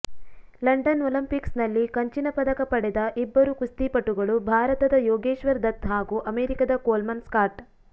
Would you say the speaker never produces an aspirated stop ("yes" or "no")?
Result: yes